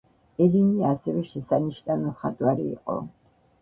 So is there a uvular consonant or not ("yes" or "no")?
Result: yes